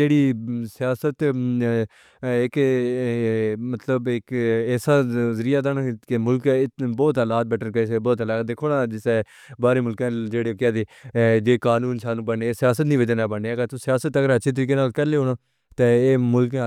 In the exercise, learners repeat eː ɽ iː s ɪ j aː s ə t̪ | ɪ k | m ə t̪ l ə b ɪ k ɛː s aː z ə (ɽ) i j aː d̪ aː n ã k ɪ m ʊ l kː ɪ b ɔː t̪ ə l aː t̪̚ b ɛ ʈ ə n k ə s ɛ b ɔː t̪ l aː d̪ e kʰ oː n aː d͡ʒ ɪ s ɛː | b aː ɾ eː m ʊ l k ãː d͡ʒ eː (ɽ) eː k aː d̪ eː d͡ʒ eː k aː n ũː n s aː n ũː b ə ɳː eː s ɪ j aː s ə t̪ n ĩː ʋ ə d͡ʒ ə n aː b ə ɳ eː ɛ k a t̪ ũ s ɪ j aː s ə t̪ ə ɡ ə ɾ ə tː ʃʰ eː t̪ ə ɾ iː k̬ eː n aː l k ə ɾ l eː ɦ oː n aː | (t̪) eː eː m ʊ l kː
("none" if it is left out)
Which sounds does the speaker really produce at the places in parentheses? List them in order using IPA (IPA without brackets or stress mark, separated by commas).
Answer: ɾ, ɽ, t̪